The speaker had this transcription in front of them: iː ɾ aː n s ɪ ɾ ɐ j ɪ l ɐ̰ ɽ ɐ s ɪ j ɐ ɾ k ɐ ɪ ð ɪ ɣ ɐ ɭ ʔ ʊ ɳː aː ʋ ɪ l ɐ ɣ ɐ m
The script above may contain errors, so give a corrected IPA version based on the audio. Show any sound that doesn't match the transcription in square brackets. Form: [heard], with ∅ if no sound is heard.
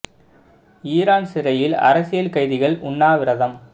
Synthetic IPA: iː ɾ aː n s ɪ ɾ ɐ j ɪ l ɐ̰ [ɾ] ɐ s ɪ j ɐ [l] k ɐ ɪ ð ɪ ɣ ɐ ɭ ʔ ʊ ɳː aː ʋ ɪ [ɾ] ɐ [ð] ɐ m

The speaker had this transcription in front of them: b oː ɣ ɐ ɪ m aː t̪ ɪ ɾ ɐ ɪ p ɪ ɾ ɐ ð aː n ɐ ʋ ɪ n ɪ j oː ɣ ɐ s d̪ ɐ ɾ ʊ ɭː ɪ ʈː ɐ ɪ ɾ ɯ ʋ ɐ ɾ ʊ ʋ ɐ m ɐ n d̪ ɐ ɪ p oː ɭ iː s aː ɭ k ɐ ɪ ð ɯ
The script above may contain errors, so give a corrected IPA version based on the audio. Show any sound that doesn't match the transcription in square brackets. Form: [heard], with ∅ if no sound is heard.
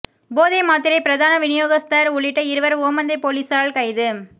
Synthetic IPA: b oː [ð] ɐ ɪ m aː t̪ ɪ ɾ ɐ ɪ p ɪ ɾ ɐ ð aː n ɐ ʋ ɪ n ɪ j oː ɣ ɐ s [t̪] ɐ ɾ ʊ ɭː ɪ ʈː ɐ ɪ ɾ ɯ ʋ ɐ ɾ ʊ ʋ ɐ m ɐ n d̪ ɐ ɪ p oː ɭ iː s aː ɭ k ɐ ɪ ð ɯ

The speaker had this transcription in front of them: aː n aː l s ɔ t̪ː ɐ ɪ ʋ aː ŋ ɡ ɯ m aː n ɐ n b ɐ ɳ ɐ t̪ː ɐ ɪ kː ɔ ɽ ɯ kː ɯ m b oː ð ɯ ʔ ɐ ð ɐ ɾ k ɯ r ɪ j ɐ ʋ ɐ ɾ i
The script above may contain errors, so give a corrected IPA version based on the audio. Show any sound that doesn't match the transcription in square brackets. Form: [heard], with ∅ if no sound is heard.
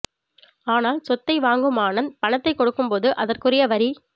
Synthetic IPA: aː n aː l s ɔ t̪ː ɐ ɪ ʋ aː ŋ ɡ ɯ m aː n ɐ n [p] ɐ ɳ ɐ t̪ː ɐ ɪ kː ɔ ɽ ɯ kː ɯ m [p] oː ð ɯ ʔ ɐ ð ɐ [r] k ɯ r ɪ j ɐ ʋ ɐ ɾ i

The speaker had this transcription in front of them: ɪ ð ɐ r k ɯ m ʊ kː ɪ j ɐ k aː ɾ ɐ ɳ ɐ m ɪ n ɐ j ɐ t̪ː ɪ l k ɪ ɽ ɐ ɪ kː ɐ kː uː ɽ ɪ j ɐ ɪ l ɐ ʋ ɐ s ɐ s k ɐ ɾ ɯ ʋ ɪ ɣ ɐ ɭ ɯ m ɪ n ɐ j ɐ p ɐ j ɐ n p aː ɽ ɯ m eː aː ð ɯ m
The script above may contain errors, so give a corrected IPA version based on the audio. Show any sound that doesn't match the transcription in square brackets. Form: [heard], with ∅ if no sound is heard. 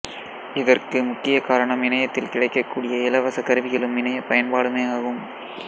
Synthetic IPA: ɪ ð ɐ r k ɯ m ʊ kː ɪ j ɐ k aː ɾ ɐ ɳ ɐ m ɪ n ɐ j ɐ t̪ː ɪ l k ɪ ɽ ɐ ɪ kː ɐ kː uː ɽ ɪ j ɐ ɪ l ɐ ʋ ɐ s ɐ [∅] k ɐ ɾ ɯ ʋ ɪ ɣ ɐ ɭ ɯ m ɪ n ɐ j ɐ p ɐ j ɐ n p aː ɽ ɯ m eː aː [ɣ] ɯ m

